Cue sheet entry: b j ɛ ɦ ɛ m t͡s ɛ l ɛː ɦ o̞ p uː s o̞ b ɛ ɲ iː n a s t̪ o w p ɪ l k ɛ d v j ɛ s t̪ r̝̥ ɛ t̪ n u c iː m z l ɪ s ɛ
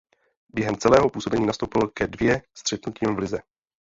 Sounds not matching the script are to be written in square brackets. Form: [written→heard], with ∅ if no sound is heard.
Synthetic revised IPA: b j ɛ ɦ ɛ m t͡s ɛ l ɛː ɦ o̞ p uː s o̞ b ɛ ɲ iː n a s t̪ o w p ɪ l k ɛ d v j ɛ s t̪ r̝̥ ɛ t̪ n u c iː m [z→v] l ɪ [s→z] ɛ